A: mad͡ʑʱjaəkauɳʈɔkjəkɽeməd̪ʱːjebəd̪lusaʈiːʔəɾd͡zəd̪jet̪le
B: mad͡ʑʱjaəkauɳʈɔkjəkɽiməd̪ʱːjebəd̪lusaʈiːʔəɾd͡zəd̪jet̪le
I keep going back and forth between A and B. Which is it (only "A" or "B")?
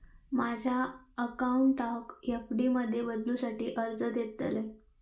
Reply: B